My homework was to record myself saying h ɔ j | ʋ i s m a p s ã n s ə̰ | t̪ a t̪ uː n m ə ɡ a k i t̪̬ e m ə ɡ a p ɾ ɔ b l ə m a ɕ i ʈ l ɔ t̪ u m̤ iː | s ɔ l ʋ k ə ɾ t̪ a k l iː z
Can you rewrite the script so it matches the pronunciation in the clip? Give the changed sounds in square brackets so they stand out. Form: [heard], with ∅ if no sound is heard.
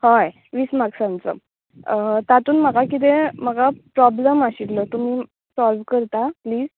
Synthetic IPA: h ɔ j | ʋ i s m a [k] s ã n [t͡s] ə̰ | t̪ a t̪ uː n m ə ɡ a k i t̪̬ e m ə ɡ a p ɾ ɔ b l ə m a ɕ i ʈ l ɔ t̪ u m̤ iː | s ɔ l ʋ k ə ɾ t̪ a [p] l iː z